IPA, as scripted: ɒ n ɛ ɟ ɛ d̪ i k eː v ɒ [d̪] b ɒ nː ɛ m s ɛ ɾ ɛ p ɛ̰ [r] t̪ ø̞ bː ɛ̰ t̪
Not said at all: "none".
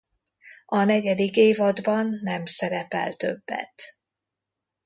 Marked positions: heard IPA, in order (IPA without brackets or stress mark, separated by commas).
d̪, l